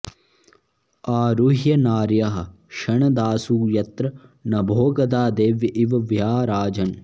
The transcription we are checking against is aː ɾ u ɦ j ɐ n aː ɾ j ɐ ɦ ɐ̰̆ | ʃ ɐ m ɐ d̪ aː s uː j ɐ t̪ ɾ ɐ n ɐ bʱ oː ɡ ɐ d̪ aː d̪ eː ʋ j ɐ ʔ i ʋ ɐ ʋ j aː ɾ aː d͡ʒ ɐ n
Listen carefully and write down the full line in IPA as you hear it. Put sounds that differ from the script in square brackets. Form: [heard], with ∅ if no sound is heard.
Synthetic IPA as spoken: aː ɾ u ɦ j ɐ n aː ɾ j ɐ ɦ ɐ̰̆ | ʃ ɐ [ɳ] ɐ d̪ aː s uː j ɐ t̪ ɾ ɐ n ɐ bʱ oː ɡ ɐ d̪ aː d̪ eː ʋ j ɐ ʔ i ʋ ɐ ʋ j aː ɾ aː d͡ʒ ɐ n